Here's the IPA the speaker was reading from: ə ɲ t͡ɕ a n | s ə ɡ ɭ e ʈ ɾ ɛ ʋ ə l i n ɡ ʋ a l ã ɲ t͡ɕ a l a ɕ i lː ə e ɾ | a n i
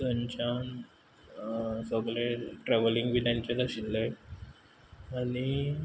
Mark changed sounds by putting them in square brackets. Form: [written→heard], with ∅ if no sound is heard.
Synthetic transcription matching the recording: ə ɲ t͡ɕ a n | s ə ɡ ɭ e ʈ ɾ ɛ ʋ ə l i [n→ŋ] ɡ ʋ [a→i] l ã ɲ t͡ɕ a l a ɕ i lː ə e [ɾ→∅] | a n i

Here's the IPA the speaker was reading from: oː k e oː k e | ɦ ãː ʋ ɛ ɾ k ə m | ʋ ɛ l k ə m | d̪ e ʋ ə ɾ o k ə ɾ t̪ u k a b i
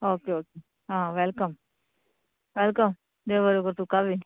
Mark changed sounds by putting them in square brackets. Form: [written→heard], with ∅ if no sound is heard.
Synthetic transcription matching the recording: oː k e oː k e | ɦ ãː ʋ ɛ [ɾ→l] k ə m | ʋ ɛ l k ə m | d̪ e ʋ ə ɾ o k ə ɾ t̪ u k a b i

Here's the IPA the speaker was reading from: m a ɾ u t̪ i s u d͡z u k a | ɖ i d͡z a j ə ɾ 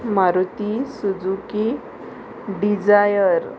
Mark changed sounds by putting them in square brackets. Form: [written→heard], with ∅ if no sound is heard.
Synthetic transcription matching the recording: m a ɾ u t̪ i s u d͡z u k [a→i] | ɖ i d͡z a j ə ɾ

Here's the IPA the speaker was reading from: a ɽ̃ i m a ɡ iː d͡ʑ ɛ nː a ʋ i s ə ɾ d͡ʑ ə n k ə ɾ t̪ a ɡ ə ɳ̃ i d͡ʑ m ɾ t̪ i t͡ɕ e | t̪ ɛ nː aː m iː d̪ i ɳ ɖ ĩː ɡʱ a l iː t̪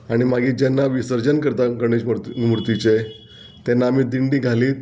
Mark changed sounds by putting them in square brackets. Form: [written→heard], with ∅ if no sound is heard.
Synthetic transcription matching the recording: a ɽ̃ i m a ɡ iː d͡ʑ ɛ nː a ʋ i s ə ɾ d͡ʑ ə n k ə ɾ t̪ a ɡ ə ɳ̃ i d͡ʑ m ɾ t̪ i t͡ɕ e | t̪ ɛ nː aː m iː d̪ i ɳ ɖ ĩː ɡʱ a l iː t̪

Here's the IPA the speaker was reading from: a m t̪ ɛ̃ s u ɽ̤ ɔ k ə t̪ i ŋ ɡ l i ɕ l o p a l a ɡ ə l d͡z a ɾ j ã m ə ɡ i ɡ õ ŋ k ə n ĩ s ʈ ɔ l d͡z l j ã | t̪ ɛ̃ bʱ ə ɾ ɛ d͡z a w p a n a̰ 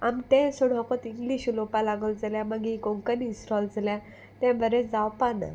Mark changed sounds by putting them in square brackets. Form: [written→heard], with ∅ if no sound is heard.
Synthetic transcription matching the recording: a m t̪ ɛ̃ s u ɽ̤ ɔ k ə t̪ i ŋ ɡ l i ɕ l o p a l a ɡ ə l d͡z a [ɾ→l] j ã m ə ɡ i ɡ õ ŋ k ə n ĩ s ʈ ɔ l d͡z l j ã | t̪ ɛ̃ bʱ ə ɾ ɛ d͡z a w p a n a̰

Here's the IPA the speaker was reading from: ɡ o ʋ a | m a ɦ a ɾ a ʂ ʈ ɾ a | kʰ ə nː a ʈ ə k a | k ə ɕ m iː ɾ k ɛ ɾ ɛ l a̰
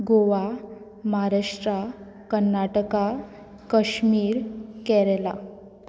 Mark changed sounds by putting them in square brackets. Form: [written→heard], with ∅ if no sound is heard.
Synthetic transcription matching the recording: ɡ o ʋ a | m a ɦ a ɾ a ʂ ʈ ɾ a | [kʰ→k] ə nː a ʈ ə k a | k ə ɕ m iː ɾ k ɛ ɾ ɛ l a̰

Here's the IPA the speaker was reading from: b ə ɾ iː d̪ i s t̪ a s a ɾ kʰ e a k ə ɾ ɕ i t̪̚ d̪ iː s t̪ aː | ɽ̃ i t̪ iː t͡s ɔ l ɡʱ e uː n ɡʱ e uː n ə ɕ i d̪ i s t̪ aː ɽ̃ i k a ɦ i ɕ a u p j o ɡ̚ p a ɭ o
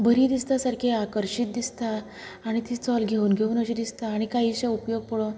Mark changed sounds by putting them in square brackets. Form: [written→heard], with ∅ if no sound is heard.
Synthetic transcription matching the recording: b ə ɾ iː d̪ i s t̪ a s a ɾ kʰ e a k ə ɾ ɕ i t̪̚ d̪ [iː→i] s t̪ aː | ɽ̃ i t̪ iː t͡s ɔ l ɡʱ e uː n ɡʱ e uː n ə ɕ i d̪ i s t̪ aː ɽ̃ i k a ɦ i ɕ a u p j o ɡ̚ p [a→ə] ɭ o

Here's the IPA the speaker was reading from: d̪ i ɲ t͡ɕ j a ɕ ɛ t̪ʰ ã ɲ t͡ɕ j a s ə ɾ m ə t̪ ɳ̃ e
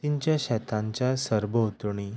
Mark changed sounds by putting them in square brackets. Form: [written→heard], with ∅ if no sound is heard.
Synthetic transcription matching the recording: [d̪→t̪] i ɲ t͡ɕ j a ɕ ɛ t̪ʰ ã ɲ t͡ɕ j a s ə ɾ [m→b] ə t̪ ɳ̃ [e→i]

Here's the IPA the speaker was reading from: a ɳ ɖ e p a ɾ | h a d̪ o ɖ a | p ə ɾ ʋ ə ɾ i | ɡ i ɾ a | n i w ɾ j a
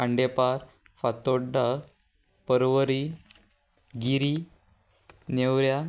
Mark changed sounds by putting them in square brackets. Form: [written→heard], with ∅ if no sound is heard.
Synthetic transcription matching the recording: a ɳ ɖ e p a ɾ | [h→f] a [d̪→t̪] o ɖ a | p ə ɾ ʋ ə ɾ i | ɡ i ɾ [a→i] | n [i→e] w ɾ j a

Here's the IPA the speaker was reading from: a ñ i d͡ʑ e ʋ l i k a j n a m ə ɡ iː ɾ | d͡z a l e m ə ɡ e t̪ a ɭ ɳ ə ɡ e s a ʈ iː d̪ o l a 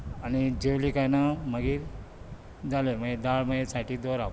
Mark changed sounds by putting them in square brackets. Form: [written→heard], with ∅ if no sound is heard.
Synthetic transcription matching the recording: a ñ i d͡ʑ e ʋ l i k a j n a m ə ɡ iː ɾ | d͡z a l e m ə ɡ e [t̪→d̪] a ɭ [ɳ→m] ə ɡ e s a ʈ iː d̪ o [l→ɾ] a

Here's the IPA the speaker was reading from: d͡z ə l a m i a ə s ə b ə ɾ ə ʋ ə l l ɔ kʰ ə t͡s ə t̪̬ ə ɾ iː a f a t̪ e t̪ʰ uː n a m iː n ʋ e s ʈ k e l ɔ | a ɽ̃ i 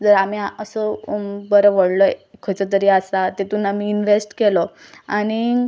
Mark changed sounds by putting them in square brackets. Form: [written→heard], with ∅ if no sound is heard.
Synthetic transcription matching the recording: d͡z ə [l→ɾ] a m i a ə s ə b ə ɾ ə ʋ ə [l→ɽ] l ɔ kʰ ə t͡s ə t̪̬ ə ɾ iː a [f→s] a t̪ e [t̪ʰ→t̪] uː n a m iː n ʋ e s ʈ k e l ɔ | a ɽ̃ i

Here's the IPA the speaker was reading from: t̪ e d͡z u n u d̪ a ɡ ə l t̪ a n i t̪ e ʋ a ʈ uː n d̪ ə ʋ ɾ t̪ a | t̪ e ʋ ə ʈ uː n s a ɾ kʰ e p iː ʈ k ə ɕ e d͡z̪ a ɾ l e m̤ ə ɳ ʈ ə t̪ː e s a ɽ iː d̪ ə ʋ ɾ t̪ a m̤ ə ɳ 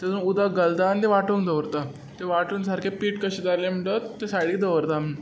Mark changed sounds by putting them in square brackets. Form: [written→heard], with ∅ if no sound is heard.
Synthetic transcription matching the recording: t̪ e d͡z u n u d̪ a ɡ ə l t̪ a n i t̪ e ʋ a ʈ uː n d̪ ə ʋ ɾ t̪ a | t̪ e ʋ [ə→a] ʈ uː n s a ɾ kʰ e p iː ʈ k ə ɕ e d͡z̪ a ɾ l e m̤ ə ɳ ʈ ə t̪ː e s a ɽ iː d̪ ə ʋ ɾ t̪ a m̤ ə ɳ

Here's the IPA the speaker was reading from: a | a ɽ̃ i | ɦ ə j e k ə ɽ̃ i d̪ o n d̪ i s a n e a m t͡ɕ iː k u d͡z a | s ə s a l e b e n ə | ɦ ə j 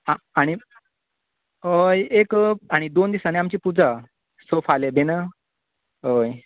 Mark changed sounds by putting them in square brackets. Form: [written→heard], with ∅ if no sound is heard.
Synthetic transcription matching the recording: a | a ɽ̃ i | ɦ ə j e k [ə→a] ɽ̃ i d̪ o n d̪ i s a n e a m t͡ɕ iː [k→p] u d͡z a | s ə [s→f] a l e b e n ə | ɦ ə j

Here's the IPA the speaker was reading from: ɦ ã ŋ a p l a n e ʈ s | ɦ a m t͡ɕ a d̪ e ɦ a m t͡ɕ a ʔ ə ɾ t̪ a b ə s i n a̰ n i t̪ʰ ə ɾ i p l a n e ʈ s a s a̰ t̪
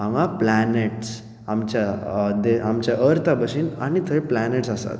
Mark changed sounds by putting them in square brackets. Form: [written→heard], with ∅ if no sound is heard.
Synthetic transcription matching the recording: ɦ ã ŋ a p l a n e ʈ s | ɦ a m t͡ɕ a d̪ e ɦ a m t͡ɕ a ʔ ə ɾ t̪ a b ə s i n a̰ n i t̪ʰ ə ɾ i p l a n e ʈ s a s a̰ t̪

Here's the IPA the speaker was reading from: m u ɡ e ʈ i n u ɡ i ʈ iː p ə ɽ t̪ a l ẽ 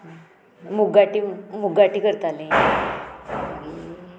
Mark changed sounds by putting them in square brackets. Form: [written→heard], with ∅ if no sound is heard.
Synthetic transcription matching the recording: m u ɡ [e→a] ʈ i [n→m] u ɡ [i→a] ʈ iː [p→k] ə [ɽ→ɾ] t̪ a l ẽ

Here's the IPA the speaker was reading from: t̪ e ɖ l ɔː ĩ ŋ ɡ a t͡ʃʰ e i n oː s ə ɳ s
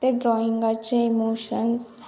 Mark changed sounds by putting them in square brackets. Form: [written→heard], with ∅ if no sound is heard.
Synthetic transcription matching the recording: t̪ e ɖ [l→ɾ] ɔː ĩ ŋ ɡ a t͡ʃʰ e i [n→m] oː [s→ʃ] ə [ɳ→n] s

